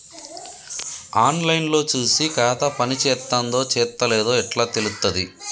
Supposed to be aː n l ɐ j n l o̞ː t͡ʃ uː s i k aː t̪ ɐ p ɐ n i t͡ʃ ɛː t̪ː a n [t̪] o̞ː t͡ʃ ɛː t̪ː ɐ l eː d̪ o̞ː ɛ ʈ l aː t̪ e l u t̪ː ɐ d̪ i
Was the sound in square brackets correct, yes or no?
no